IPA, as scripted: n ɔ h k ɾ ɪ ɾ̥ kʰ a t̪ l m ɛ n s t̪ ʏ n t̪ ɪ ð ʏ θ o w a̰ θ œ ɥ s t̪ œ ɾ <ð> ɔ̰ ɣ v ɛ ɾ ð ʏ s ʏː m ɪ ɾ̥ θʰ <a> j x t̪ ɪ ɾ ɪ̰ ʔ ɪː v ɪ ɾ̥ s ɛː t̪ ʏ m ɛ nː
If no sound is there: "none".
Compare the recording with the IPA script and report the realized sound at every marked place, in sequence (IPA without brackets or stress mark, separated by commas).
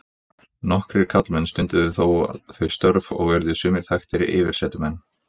v, a